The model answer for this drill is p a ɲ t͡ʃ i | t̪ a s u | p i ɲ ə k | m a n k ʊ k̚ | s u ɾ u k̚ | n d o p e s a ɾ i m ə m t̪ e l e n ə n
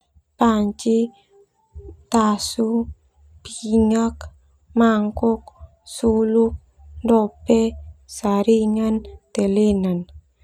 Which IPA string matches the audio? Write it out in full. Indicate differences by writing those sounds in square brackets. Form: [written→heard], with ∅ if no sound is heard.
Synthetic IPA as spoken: p a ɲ t͡ʃ i | t̪ a s u | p i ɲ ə k | m a [n→ŋ] k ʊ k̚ | s u [ɾ→l] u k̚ | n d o p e s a ɾ i [m→ŋ] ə [m→n] t̪ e l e n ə n